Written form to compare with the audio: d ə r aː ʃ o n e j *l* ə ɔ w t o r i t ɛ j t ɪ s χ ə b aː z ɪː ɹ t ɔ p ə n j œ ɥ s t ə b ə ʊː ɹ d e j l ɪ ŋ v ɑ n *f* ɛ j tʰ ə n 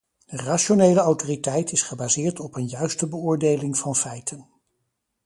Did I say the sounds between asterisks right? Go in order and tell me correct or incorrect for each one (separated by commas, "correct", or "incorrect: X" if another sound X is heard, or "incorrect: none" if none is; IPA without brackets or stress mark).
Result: correct, correct